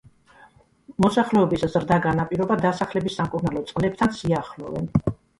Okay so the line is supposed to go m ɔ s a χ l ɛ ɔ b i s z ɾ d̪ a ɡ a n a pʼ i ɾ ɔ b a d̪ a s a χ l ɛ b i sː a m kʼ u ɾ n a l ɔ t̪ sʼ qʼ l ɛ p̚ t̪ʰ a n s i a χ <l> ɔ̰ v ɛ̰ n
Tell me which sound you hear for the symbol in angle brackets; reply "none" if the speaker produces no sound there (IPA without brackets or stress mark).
l